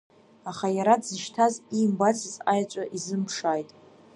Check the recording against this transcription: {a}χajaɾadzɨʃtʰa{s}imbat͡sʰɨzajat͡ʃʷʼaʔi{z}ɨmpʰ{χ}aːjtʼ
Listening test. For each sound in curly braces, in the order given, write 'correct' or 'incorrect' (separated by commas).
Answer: correct, incorrect, correct, incorrect